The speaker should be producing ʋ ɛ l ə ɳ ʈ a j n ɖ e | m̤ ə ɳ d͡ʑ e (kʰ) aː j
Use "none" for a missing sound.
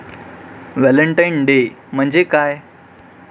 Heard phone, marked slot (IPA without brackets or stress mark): k